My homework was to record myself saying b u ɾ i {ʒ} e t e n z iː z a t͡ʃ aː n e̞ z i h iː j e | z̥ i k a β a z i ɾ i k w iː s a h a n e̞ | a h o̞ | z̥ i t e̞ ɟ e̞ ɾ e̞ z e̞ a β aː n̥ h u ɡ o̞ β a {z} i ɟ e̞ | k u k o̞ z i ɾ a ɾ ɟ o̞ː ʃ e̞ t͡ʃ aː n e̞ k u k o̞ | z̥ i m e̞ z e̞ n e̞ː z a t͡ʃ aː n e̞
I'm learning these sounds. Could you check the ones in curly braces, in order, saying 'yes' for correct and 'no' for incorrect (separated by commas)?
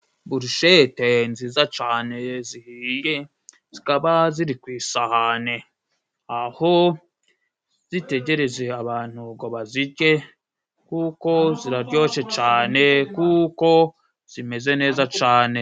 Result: no, yes